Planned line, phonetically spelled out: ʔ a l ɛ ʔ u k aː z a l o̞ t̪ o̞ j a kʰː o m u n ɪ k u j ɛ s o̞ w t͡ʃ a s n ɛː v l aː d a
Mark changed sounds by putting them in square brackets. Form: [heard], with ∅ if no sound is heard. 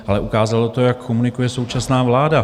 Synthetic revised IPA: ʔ a l ɛ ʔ u k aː z a l o̞ t̪ o̞ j a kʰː o m u n ɪ k u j ɛ s o̞ w t͡ʃ a s n [aː] v l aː d a